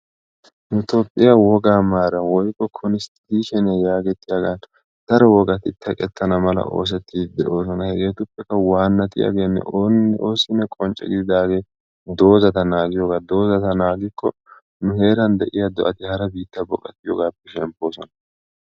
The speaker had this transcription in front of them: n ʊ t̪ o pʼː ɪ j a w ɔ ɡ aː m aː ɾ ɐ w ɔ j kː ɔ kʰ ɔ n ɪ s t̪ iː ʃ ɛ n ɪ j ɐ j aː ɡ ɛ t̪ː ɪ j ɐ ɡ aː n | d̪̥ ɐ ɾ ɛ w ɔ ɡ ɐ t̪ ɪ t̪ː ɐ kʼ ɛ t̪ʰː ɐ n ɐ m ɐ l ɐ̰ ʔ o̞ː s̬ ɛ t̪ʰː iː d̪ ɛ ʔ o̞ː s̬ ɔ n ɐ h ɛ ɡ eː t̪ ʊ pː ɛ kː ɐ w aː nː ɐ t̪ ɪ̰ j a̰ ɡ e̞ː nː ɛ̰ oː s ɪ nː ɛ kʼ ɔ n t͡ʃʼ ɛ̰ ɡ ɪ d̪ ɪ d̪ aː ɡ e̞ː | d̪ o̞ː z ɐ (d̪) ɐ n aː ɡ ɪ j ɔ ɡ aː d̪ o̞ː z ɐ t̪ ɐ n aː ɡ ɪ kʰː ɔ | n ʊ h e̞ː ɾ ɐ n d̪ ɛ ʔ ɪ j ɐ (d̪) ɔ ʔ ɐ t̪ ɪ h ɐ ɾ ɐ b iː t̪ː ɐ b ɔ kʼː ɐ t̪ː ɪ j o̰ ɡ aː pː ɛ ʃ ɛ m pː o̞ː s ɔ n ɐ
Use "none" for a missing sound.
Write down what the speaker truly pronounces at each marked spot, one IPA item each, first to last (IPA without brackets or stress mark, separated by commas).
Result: t̪, d̪